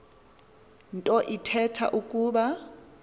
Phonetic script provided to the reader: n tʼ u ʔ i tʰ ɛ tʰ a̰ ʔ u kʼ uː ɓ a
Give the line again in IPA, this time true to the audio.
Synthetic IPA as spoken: n tʼ ɔ ʔ i tʰ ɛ tʰ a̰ ʔ u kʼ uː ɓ a